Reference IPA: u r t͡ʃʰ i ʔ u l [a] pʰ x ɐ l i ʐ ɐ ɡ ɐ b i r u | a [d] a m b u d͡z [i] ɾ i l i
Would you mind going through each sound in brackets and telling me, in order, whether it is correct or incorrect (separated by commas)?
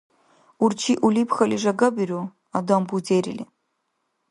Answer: incorrect, correct, incorrect